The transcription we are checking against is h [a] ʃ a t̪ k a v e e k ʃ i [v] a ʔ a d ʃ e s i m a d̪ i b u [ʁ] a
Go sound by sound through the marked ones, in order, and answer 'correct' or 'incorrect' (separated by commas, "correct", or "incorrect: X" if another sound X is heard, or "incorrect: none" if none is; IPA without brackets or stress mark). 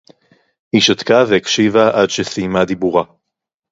incorrect: i, correct, correct